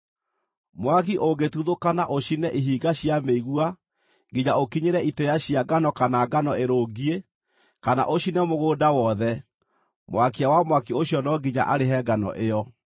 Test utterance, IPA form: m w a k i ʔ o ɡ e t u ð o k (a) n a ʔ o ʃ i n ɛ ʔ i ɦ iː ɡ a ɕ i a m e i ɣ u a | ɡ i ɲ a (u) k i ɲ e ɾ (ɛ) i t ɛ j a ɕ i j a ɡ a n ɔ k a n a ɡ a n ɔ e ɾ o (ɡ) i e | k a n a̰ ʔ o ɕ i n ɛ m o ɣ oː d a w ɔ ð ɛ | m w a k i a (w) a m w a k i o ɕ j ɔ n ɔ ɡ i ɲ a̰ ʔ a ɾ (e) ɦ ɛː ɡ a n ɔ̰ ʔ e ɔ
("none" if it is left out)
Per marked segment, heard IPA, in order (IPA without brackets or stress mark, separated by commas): a, o, ɛ, ɡ, w, e